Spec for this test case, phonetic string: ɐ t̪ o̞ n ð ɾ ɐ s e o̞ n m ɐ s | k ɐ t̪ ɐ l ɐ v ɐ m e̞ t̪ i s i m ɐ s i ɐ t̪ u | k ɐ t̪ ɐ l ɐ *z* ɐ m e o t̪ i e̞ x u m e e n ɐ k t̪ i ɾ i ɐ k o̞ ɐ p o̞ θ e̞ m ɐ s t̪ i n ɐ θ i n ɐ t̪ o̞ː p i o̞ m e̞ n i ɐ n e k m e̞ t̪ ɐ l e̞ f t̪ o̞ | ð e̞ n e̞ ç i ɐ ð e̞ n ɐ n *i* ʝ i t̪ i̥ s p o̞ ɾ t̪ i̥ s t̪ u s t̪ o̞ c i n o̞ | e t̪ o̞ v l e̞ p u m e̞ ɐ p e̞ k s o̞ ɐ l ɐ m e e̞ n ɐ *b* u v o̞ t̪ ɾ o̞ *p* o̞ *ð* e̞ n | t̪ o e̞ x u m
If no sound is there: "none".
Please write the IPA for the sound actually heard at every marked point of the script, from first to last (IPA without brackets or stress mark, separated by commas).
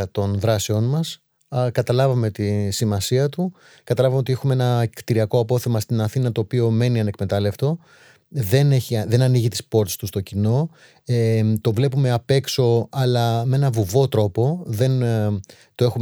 v, i, v, p, ð